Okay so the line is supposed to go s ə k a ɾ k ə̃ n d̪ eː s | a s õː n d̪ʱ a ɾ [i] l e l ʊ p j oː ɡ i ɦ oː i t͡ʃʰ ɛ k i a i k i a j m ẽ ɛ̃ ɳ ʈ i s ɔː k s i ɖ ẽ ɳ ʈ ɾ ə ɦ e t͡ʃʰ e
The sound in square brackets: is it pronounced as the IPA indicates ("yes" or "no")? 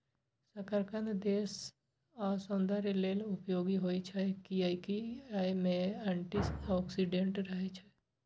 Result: no